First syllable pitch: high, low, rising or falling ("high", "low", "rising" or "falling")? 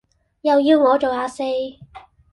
low